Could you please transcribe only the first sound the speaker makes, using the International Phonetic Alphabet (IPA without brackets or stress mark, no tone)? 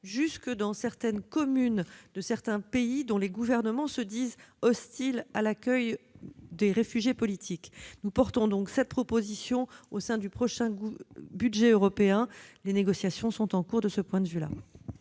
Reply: ʒ